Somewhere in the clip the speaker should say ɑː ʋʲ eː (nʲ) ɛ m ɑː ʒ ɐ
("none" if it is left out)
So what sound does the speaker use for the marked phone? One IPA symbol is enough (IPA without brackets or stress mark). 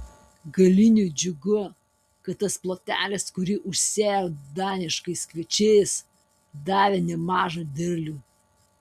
nʲ